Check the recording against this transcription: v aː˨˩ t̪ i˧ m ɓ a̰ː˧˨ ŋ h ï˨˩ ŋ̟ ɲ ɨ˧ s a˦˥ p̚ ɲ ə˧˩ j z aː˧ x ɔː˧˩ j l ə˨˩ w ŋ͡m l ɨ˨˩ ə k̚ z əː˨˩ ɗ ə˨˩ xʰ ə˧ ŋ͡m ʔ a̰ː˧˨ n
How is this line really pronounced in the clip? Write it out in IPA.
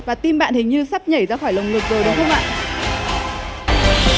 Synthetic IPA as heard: v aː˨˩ t̪ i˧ m ɓ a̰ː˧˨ n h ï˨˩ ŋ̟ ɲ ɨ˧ s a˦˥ p̚ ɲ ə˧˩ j z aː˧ x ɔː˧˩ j l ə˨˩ w ŋ͡m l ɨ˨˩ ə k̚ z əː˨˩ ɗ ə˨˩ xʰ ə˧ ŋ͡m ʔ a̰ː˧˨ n